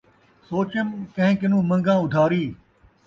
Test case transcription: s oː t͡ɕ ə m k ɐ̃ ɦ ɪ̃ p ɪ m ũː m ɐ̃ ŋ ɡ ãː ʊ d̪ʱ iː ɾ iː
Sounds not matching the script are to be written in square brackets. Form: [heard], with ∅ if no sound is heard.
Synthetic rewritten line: s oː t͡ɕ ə m k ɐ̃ ɦ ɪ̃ [k] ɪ [n] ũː m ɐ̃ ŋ ɡ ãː ʊ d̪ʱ [aː] ɾ iː

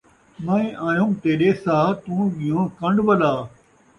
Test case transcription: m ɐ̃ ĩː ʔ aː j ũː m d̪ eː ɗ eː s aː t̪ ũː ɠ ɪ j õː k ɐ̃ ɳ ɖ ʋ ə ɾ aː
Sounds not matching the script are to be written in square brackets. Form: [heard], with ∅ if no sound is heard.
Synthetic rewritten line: m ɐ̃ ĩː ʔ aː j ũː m [t̪] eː ɗ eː s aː t̪ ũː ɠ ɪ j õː k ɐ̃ ɳ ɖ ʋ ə [l] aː

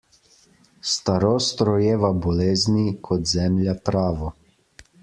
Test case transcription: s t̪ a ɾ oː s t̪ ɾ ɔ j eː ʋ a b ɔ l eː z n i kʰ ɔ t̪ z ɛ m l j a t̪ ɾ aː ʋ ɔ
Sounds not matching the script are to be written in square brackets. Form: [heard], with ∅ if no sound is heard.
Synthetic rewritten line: s t̪ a ɾ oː s t̪ ɾ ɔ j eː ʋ a b ɔ l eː z n i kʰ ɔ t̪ z ɛ m l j a t̪ ɾ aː ʋ ɔ

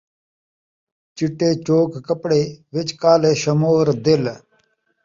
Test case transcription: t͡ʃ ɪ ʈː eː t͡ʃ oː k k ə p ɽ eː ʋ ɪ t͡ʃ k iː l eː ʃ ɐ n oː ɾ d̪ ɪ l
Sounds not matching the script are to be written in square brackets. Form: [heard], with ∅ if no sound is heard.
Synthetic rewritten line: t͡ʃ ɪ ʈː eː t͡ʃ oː k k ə p ɽ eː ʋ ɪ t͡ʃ k [aː] l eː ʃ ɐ [m] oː ɾ d̪ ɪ l

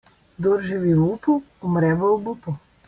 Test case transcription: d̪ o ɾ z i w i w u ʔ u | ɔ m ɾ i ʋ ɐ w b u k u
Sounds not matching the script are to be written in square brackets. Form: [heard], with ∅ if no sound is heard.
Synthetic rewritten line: d̪ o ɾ [ʒ] i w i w u [p] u | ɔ m ɾ [ɛ] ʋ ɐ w b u [p] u

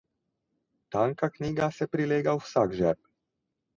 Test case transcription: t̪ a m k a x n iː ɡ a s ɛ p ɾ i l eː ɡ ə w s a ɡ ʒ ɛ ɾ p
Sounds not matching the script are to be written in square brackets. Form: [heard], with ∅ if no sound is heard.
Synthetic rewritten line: t̪ a [ŋ] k a [k] n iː ɡ a s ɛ p ɾ i l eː ɡ [a] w s a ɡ ʒ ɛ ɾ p

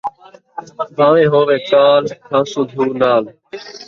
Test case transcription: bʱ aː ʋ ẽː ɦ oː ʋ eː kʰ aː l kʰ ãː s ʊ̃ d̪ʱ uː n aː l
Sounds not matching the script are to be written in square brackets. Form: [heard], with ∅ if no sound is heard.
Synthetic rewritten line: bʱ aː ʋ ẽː ɦ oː ʋ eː [k] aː l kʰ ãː s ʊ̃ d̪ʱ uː n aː l

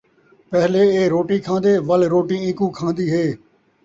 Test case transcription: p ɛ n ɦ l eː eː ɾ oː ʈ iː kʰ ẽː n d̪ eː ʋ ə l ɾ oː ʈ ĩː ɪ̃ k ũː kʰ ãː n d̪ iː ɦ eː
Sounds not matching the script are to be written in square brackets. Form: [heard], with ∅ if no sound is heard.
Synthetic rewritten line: p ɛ [∅] ɦ l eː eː ɾ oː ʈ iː kʰ [ãː] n d̪ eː ʋ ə l ɾ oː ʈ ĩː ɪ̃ k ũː kʰ ãː n d̪ iː ɦ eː

